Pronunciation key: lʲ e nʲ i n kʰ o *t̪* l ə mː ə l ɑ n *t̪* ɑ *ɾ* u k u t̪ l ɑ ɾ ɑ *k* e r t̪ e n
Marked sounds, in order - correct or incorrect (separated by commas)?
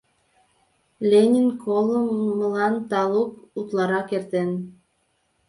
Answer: incorrect, correct, incorrect, correct